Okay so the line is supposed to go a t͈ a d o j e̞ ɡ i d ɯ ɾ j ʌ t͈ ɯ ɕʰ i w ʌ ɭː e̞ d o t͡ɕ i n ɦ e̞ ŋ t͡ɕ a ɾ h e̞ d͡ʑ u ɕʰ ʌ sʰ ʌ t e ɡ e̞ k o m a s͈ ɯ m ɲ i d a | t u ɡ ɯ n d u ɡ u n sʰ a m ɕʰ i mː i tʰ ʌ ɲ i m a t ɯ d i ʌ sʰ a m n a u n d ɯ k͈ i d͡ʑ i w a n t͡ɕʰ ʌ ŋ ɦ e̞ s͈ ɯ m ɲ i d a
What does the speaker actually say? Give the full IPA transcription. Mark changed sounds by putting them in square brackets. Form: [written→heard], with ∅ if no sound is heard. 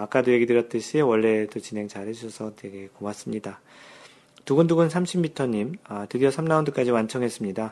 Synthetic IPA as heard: a [t͈→k͈] a d o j e̞ ɡ i d ɯ ɾ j ʌ t͈ ɯ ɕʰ i w ʌ ɭː e̞ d o t͡ɕ i n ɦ e̞ ŋ t͡ɕ a ɾ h e̞ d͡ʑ u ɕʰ ʌ sʰ ʌ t e ɡ e̞ k o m a s͈ ɯ m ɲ i d a | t u ɡ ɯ n d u ɡ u n sʰ a m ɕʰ i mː i tʰ ʌ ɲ i m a t ɯ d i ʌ sʰ a m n a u n d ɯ k͈ [i→a] d͡ʑ i w a n t͡ɕʰ ʌ ŋ ɦ e̞ s͈ ɯ m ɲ i d a